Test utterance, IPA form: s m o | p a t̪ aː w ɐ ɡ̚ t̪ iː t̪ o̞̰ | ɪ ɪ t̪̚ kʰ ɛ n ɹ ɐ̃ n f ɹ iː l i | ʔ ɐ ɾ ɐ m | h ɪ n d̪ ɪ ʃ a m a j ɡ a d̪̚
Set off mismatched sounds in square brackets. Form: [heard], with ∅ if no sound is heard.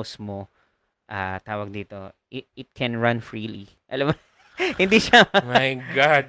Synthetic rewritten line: s m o | [ʔ] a t̪ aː w ɐ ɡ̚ [d̪] iː t̪ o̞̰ | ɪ ɪ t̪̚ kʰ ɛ n ɹ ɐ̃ n f ɹ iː l i | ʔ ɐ [l] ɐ m | h ɪ n d̪ [i] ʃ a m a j ɡ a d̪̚